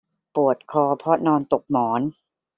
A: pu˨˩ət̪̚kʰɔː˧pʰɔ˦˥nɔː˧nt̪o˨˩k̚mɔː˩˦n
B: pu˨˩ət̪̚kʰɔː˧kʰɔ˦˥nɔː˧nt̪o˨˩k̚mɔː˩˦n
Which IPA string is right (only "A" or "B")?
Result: A